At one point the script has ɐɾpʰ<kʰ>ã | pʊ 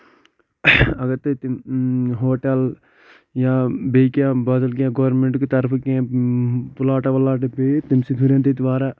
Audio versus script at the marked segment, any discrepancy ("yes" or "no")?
yes